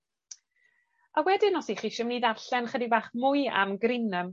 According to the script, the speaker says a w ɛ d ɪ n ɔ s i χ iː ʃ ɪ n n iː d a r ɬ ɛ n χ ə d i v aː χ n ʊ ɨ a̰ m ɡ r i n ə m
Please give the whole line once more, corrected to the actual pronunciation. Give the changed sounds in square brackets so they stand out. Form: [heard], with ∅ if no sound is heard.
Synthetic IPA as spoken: a w ɛ d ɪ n ɔ s i χ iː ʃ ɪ [m] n iː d a r ɬ ɛ n χ ə d i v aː χ [m] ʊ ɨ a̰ m ɡ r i n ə m